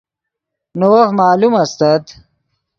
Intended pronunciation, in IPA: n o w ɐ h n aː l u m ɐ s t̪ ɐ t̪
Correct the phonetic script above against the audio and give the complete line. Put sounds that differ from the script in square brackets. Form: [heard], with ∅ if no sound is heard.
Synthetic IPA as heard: n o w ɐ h [m] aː l u m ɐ s t̪ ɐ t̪